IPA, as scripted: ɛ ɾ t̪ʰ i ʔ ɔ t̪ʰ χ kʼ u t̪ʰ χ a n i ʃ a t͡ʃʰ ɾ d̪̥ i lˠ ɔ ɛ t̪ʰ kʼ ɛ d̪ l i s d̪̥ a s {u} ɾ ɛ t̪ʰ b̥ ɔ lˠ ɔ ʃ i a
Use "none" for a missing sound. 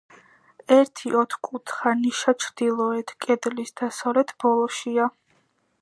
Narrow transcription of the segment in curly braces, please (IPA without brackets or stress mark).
ɔ